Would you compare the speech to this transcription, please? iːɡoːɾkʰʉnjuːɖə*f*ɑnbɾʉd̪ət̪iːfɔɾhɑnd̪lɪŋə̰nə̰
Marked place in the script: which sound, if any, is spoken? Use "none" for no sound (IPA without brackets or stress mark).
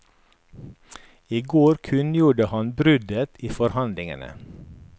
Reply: h